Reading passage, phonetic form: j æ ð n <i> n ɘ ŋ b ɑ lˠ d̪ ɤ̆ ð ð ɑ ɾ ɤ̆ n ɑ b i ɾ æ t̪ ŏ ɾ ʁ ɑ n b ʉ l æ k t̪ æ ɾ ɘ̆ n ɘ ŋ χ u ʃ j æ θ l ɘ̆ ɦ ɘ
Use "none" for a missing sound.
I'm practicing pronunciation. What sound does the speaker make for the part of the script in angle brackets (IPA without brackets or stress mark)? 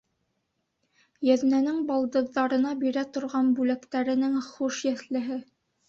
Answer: æ